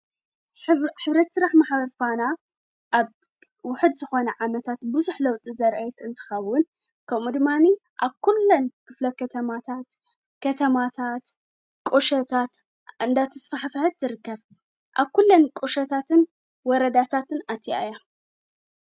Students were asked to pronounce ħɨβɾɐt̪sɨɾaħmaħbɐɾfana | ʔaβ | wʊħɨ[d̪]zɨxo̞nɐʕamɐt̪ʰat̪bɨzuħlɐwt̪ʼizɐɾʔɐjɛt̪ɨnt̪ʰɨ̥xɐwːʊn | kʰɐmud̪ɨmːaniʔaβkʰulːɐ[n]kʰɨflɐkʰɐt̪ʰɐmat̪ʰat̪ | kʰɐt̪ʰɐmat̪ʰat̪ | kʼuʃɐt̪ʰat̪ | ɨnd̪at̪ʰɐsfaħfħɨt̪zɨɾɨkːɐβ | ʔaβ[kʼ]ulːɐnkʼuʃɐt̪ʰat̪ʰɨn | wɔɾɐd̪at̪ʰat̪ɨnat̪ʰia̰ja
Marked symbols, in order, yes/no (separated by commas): yes, yes, no